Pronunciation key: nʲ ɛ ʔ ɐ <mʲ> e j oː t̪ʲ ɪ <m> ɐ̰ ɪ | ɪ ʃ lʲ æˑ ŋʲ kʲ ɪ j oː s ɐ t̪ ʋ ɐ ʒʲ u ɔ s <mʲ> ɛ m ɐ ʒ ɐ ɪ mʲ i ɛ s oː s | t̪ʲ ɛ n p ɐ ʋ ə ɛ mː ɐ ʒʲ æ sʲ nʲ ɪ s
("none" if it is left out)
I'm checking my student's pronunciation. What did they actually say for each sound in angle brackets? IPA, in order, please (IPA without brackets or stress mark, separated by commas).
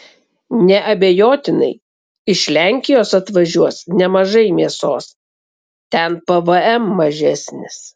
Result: bʲ, n, nʲ